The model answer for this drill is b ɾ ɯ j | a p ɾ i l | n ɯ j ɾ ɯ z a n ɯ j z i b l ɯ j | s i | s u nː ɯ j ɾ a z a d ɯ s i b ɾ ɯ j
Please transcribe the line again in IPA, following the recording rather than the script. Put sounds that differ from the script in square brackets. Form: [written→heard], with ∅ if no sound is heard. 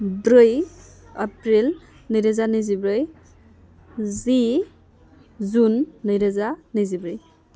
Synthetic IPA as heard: b ɾ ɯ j | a p ɾ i l | n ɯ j ɾ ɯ z a n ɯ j z i b [l→ɾ] ɯ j | [s→z] i | [s→z] u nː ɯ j ɾ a z a [d→n] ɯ [s→z] i b ɾ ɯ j